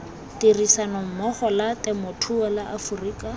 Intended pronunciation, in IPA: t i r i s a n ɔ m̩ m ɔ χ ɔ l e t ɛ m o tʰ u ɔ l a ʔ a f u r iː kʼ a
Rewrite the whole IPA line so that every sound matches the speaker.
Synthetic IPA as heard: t i r i s a n ɔ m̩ m ɔ χ ɔ l a t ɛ m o tʰ u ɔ l a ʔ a f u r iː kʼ a